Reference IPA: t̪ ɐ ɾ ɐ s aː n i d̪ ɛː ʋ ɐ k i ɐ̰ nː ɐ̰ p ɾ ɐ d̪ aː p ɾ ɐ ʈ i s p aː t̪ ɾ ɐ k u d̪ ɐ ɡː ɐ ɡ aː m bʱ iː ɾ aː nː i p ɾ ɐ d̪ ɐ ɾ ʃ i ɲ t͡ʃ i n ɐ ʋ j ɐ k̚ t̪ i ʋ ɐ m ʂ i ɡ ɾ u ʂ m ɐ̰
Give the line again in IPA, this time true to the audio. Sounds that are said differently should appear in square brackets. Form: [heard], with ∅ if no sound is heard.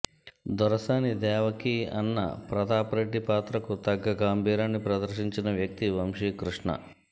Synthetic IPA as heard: [d̪] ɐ ɾ ɐ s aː n i d̪ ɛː ʋ ɐ k i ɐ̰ nː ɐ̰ p ɾ ɐ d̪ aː p ɾ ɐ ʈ i [∅] p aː t̪ ɾ ɐ k u [t̪] ɐ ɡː ɐ ɡ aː m bʱ iː ɾ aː nː i p ɾ ɐ d̪ ɐ ɾ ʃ i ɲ t͡ʃ i n ɐ ʋ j ɐ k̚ t̪ i ʋ ɐ m ʂ i [k] ɾ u ʂ [ɳ] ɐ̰